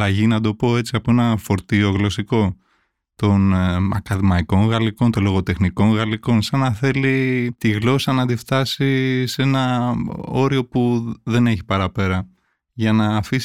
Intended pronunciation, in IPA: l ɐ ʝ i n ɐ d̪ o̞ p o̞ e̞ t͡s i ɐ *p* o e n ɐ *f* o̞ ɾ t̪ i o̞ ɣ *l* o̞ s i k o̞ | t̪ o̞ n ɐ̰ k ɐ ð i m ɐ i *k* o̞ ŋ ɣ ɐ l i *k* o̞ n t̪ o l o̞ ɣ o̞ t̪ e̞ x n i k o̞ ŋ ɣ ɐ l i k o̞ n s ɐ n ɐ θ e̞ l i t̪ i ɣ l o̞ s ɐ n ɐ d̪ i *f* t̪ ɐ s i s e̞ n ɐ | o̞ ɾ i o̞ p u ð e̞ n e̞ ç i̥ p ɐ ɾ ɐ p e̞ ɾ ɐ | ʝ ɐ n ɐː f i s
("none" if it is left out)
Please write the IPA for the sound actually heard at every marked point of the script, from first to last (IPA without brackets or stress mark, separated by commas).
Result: p, f, l, k, k, f